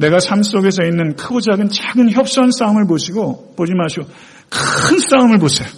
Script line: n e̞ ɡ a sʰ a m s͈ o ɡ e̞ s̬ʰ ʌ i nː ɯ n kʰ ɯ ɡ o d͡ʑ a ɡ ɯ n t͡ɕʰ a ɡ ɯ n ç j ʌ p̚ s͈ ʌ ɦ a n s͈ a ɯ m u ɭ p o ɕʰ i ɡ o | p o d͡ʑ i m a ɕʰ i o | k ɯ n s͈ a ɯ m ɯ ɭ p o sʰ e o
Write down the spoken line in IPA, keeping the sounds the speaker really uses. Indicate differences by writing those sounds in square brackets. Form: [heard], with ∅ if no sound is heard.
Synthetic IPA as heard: n e̞ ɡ a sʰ a m s͈ o ɡ e̞ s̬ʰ ʌ i nː ɯ n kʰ ɯ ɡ o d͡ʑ a ɡ ɯ n [t͡ɕ] a ɡ ɯ n ç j ʌ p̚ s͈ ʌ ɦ a n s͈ a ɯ m [ɯ] ɭ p o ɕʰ i ɡ o | p o d͡ʑ i m a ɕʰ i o | k ɯ n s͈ a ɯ m ɯ ɭ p o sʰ e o